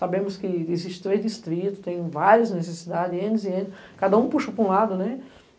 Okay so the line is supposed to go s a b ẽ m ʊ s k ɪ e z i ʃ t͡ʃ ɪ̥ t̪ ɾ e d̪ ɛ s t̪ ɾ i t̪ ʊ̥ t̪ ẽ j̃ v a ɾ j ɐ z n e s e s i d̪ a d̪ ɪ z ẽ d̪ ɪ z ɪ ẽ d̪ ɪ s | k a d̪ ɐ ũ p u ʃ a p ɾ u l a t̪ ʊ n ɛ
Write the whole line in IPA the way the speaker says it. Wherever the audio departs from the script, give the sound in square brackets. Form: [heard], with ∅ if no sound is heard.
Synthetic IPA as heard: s a b ẽ m ʊ s k ɪ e z i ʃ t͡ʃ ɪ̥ t̪ ɾ e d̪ [i] s t̪ ɾ i t̪ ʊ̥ t̪ ẽ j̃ v a ɾ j ɐ z n e s e s i d̪ a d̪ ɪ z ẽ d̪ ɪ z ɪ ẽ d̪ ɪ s | k a d̪ ɐ ũ p u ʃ [ɐ] p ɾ [ũ] l a [d̪] ʊ n ɛ